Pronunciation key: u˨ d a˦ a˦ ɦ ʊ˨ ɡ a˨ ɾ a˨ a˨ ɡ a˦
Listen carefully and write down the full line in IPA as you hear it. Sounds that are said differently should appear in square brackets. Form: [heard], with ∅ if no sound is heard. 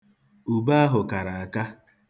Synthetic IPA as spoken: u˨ [b] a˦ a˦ ɦ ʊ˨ [k] a˨ ɾ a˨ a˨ [k] a˦